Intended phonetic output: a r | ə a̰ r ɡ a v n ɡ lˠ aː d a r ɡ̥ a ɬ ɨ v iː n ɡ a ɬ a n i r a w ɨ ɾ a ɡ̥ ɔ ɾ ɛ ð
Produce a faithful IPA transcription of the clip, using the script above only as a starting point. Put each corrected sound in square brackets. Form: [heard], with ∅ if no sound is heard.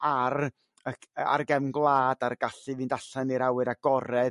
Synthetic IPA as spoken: a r | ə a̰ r ɡ [ɛ] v n ɡ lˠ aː d a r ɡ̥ a ɬ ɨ v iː n [d] a ɬ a n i [ɾ] a w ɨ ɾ a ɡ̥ ɔ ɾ ɛ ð